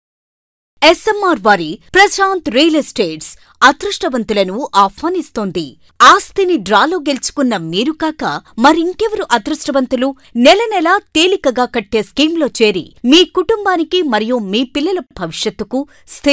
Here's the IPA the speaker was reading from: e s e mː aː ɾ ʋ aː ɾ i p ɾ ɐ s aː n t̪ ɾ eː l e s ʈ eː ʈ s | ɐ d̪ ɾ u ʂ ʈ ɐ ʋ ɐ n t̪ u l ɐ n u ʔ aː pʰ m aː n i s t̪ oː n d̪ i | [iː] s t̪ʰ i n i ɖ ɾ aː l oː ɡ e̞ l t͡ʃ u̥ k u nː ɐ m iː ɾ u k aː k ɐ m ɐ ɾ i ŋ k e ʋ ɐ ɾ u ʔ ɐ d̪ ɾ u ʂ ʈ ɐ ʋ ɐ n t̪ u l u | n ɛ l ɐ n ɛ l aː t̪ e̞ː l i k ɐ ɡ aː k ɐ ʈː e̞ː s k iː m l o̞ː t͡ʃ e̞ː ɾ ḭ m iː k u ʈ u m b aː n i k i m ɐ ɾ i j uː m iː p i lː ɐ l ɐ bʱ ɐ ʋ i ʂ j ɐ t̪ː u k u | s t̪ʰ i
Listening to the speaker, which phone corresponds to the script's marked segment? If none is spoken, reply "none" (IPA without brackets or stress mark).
aː